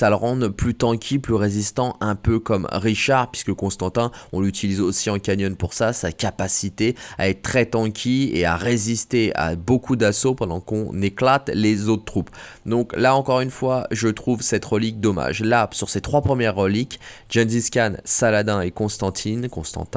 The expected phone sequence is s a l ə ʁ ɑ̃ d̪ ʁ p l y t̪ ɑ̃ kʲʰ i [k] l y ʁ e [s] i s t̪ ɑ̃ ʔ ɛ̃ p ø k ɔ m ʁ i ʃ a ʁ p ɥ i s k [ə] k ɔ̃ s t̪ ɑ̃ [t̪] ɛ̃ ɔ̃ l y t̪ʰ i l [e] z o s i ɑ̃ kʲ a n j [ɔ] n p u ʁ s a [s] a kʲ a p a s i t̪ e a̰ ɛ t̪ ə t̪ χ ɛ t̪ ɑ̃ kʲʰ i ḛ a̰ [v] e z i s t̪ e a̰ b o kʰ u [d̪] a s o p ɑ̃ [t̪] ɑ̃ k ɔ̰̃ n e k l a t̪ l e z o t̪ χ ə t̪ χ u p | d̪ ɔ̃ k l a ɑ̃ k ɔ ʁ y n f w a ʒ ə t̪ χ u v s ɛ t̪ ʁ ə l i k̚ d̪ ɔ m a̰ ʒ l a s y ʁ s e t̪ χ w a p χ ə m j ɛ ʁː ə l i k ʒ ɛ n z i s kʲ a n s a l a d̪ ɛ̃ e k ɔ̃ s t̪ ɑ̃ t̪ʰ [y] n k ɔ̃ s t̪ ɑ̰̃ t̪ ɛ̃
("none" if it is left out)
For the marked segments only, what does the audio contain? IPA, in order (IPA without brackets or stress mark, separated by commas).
p, z, ə, t̪, i, ɔ, s, ʁ, d̪, d̪, i